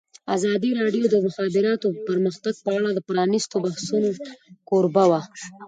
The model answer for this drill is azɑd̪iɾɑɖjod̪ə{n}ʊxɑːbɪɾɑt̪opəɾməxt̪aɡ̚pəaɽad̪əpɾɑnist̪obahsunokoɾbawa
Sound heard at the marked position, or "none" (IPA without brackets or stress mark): m